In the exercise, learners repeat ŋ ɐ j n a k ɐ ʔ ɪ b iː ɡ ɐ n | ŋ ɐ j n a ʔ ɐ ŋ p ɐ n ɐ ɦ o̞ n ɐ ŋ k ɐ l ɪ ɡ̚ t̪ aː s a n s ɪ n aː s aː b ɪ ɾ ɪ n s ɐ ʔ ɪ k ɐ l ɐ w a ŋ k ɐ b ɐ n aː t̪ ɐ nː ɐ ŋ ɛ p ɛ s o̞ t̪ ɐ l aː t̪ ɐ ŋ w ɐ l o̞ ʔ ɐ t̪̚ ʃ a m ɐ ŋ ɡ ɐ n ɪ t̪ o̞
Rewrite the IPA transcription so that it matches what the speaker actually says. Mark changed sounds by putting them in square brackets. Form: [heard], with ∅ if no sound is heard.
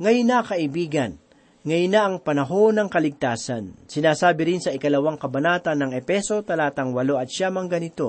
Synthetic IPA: ŋ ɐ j n a k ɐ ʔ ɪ b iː ɡ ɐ n | ŋ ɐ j n a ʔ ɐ ŋ p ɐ n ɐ ɦ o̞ n ɐ ŋ k ɐ l ɪ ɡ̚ t̪ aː s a n s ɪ n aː s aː b ɪ ɾ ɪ n s ɐ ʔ ɪ k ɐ l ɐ w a ŋ k ɐ b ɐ n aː t̪ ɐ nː ɐ ŋ ɛ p ɛ s o̞ t̪ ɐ l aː t̪ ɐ ŋ w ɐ l o̞ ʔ ɐ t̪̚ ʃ a m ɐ ŋ ɡ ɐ n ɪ t̪ o̞